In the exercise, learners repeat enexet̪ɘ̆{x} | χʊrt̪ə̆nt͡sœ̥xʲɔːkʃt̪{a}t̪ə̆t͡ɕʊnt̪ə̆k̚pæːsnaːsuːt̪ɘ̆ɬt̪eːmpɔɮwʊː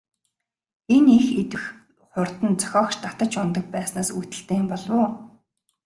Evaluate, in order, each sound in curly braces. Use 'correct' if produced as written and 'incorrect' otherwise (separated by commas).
correct, correct